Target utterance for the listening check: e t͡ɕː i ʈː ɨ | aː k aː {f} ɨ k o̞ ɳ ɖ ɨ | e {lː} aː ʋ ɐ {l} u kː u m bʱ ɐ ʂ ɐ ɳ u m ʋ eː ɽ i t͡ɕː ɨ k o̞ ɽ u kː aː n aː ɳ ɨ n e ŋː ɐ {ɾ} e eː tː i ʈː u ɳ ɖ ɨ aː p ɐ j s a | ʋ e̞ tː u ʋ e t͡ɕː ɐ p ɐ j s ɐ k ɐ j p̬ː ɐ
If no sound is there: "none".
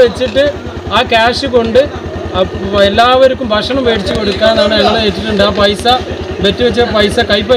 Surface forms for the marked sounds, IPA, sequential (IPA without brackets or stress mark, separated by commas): ʂ, lː, ɾ, ɭ